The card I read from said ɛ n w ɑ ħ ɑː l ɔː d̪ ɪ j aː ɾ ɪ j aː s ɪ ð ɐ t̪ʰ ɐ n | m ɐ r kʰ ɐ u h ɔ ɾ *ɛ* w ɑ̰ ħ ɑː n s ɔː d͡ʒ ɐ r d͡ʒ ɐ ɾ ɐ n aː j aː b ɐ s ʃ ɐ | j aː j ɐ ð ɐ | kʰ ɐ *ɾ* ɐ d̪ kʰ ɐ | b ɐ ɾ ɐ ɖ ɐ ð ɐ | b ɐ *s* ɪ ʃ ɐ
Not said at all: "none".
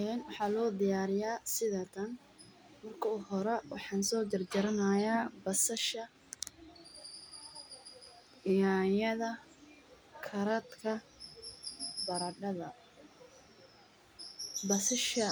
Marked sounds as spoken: ɛ, ɾ, s

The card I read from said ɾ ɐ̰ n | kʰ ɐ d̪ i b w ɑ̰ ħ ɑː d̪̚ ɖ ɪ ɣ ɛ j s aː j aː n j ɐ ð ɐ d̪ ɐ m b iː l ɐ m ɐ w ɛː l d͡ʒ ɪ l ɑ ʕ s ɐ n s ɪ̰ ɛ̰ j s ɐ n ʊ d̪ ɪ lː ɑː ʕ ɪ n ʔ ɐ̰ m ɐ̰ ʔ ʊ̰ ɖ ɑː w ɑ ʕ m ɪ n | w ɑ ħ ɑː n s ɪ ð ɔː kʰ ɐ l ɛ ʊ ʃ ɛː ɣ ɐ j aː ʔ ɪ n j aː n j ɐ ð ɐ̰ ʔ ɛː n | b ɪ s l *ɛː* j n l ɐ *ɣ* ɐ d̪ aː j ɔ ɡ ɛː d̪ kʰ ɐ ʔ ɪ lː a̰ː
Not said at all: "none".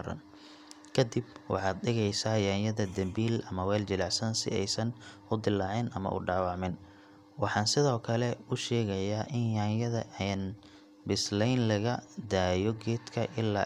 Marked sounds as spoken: ɛ, ɣ

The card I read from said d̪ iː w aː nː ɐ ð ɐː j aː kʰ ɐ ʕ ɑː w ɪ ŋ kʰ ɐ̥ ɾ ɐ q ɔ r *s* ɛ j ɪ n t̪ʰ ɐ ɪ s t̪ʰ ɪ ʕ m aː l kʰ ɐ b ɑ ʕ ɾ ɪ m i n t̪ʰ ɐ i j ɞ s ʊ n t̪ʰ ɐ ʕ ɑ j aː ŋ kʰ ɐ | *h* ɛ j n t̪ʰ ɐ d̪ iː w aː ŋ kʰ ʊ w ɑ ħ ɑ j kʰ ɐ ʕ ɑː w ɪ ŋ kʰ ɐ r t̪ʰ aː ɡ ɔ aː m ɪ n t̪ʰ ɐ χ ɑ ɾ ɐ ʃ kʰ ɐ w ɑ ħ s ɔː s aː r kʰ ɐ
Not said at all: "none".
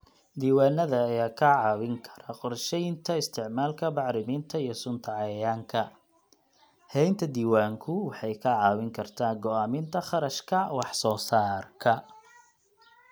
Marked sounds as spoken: ʃ, h

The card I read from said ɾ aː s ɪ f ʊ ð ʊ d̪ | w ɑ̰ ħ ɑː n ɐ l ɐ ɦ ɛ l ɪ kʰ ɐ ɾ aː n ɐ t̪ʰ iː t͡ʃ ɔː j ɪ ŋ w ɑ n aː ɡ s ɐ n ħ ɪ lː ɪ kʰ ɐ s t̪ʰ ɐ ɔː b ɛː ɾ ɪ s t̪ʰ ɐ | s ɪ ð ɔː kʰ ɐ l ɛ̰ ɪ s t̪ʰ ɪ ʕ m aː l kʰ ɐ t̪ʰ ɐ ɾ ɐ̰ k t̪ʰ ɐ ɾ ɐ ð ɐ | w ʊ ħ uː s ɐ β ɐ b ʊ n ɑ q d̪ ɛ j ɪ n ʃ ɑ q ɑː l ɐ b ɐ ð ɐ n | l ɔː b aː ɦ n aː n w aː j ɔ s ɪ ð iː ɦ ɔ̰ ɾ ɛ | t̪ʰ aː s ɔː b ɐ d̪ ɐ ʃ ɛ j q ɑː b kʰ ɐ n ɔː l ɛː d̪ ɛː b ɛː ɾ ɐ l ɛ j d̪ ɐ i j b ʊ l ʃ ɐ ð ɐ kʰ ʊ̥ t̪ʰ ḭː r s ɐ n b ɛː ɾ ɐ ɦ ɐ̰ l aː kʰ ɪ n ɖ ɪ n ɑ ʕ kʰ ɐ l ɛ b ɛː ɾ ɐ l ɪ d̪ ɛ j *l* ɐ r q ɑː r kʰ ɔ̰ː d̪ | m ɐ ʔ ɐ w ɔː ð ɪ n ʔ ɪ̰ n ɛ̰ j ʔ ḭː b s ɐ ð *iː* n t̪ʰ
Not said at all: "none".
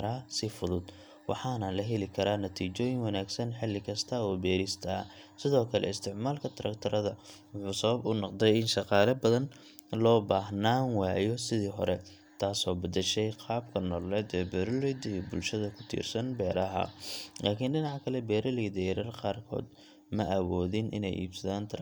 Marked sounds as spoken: ɾ, aː

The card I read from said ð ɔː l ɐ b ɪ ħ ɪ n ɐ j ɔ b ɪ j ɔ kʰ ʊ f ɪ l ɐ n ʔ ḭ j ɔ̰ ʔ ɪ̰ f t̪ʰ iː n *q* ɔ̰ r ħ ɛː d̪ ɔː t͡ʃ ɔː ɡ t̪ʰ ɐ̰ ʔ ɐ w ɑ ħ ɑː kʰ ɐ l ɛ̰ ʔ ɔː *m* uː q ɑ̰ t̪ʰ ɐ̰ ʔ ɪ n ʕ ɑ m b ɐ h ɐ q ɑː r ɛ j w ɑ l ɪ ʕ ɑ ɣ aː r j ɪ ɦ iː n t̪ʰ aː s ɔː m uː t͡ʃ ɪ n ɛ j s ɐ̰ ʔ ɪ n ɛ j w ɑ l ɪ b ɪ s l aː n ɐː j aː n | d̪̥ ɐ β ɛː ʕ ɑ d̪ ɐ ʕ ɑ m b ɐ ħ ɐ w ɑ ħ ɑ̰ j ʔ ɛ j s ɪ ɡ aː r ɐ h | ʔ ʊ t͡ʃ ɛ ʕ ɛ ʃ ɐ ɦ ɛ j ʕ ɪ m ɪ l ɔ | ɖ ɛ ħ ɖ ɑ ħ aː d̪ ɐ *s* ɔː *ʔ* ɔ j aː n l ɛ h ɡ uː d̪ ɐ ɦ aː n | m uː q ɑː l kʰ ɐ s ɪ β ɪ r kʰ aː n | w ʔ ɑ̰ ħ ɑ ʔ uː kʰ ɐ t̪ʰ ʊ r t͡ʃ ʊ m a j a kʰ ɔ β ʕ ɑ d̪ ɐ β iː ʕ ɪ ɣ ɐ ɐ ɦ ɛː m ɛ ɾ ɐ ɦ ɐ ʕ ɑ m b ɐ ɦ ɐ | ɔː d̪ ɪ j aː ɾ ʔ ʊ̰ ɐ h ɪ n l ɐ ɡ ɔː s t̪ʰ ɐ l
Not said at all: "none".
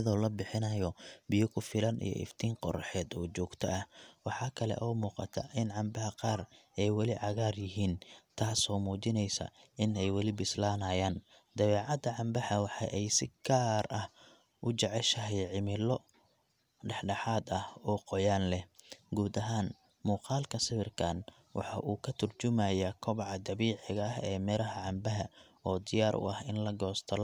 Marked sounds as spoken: q, m, h, q

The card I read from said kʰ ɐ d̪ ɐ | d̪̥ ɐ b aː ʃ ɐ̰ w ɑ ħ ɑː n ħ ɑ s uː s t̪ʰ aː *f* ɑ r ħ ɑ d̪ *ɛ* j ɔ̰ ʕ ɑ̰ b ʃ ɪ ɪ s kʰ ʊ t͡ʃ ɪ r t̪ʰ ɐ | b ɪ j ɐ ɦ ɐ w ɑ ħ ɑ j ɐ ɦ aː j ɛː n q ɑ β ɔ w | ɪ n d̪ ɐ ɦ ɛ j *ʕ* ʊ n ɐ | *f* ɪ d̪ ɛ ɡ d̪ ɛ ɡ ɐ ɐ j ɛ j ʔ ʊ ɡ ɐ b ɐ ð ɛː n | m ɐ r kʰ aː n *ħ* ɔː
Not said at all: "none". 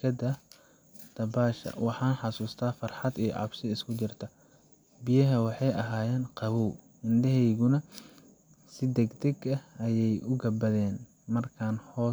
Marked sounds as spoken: f, i, ɣ, s, h

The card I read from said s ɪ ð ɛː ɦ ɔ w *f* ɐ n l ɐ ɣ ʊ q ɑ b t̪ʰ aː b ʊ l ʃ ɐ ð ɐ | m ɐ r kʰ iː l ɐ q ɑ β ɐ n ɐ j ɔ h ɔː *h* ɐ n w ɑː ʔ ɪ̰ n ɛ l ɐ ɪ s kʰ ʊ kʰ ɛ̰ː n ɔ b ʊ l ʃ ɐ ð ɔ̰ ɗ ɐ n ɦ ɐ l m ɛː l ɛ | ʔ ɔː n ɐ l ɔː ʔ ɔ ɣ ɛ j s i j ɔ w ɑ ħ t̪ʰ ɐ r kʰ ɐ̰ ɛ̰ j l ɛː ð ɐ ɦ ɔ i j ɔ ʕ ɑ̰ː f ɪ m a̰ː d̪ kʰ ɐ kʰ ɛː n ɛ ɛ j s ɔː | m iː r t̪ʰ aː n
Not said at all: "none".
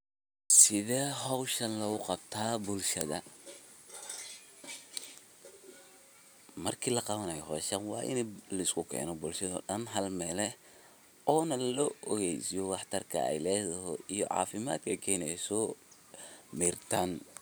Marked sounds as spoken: ʃ, ʃ

